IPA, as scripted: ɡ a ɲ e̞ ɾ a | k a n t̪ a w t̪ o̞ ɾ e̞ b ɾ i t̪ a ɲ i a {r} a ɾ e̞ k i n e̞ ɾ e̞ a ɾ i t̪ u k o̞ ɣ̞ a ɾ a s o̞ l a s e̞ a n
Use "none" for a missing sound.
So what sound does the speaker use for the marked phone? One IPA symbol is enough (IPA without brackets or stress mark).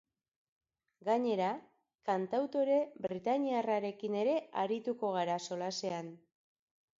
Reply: r